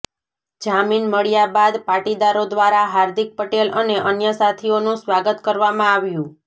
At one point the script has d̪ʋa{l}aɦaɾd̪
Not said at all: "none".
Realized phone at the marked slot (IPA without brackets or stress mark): ɾ